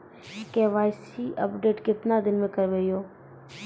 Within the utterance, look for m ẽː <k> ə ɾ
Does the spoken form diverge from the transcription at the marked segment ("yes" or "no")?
no